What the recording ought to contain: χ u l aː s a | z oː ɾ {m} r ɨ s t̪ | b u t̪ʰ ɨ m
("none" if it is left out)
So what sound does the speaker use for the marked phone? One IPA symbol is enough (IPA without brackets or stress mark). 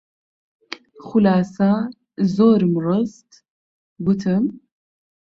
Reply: m